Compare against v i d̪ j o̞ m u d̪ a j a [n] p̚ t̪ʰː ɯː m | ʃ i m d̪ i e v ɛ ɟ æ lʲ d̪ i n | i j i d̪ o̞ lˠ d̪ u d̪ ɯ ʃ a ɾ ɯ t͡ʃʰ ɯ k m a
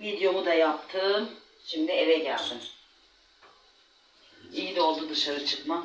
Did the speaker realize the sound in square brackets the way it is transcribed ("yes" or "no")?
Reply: no